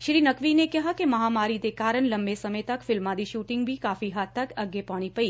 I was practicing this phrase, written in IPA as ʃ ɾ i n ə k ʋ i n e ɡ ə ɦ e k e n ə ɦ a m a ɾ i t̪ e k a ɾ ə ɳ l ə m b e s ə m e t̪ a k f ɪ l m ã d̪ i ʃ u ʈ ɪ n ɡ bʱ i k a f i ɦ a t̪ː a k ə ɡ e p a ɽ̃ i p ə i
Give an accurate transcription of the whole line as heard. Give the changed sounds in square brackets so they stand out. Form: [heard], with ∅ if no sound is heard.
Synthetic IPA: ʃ ɾ i n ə k ʋ i n e [k] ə ɦ [a] k e [m] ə ɦ a m a ɾ i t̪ e k a ɾ ə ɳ l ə m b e s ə m e t̪ a k f ɪ l m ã d̪ i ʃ u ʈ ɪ [ŋ] ɡ bʱ i k a f i ɦ a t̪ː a k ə ɡ e p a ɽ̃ i p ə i